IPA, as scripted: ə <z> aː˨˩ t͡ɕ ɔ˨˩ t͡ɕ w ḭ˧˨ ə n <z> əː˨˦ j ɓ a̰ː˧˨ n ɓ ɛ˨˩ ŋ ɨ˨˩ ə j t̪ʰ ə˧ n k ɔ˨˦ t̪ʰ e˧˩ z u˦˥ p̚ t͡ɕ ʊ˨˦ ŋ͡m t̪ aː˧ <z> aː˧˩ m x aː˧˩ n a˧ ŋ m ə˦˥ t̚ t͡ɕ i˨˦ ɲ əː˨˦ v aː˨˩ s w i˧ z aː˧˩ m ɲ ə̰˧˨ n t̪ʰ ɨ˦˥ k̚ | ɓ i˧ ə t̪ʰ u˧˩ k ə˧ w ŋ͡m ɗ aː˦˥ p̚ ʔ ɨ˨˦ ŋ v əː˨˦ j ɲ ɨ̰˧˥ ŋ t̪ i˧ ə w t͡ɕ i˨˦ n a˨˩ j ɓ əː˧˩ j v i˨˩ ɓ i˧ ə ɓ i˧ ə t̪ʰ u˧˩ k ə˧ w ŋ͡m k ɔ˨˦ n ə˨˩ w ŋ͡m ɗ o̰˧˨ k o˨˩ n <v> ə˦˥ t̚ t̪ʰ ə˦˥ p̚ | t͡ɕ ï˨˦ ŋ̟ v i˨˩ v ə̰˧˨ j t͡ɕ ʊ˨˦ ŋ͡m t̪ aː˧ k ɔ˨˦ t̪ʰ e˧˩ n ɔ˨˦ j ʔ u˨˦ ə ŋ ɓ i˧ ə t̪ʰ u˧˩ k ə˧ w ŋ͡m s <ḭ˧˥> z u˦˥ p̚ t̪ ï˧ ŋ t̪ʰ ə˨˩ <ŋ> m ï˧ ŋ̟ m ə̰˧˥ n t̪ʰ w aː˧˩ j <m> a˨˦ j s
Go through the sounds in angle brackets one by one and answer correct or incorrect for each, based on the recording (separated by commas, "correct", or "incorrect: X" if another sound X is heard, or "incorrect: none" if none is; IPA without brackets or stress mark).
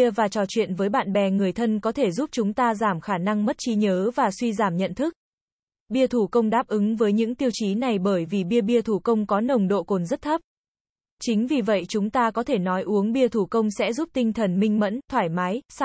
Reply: incorrect: v, incorrect: v, correct, incorrect: z, incorrect: ɛ̰˧˥, incorrect: n, correct